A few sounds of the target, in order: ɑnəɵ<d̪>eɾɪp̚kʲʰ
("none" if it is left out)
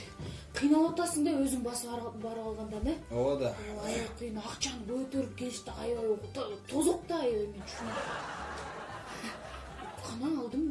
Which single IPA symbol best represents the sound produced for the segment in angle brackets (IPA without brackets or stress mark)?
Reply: t̪